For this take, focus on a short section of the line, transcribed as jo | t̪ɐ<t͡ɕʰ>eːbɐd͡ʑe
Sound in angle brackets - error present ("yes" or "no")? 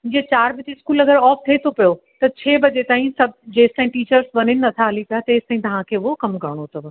no